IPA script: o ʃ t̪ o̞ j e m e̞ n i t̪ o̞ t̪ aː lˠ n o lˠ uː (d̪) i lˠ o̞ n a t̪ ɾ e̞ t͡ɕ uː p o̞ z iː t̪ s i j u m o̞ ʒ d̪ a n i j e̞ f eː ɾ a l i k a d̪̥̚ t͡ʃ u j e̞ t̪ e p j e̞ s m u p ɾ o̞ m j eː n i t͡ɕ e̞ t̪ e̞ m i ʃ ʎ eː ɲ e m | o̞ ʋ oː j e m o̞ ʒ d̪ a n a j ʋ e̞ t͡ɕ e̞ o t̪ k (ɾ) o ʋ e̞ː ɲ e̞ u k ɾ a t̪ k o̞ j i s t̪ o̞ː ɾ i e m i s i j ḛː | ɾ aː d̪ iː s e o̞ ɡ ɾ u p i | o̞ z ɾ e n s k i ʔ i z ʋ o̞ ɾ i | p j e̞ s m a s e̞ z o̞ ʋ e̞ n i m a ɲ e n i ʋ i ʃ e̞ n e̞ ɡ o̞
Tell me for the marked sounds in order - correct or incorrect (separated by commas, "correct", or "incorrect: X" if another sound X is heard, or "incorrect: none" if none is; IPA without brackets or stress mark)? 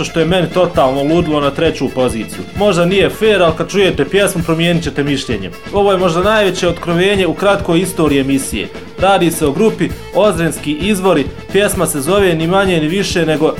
correct, correct